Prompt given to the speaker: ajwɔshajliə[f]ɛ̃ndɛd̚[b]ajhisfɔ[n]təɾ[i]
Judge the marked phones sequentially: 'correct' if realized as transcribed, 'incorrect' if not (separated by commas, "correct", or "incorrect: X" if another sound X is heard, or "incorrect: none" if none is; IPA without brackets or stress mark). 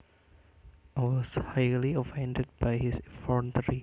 correct, correct, correct, correct